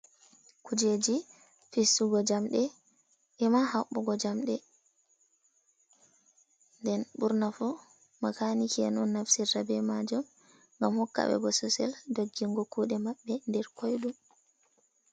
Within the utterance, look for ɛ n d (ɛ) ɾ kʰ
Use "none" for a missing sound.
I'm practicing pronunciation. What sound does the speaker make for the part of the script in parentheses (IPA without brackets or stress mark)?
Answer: ɛ